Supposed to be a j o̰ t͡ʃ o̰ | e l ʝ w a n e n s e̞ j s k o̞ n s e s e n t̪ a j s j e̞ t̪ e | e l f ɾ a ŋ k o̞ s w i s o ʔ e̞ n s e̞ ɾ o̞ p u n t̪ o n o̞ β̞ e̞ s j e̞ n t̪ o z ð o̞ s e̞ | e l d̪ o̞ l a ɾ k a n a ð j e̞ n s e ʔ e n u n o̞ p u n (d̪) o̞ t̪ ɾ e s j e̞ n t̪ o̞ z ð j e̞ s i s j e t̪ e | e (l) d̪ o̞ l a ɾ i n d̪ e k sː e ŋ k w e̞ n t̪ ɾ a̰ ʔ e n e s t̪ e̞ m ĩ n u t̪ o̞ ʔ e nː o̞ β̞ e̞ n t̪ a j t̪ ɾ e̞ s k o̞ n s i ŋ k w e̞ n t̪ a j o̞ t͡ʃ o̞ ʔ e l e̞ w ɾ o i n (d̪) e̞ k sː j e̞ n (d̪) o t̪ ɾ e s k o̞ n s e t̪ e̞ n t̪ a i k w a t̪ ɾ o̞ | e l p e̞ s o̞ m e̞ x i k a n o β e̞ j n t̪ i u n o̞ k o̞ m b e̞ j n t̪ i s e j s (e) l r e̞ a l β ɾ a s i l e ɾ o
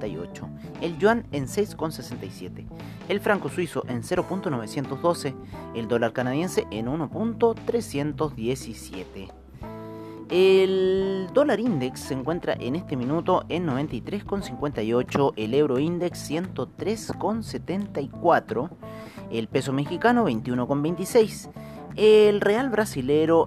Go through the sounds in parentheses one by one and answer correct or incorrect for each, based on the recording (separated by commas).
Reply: incorrect, correct, correct, incorrect, correct